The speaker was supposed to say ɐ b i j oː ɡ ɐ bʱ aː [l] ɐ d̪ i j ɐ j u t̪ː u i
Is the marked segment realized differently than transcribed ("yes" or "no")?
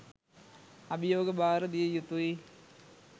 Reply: yes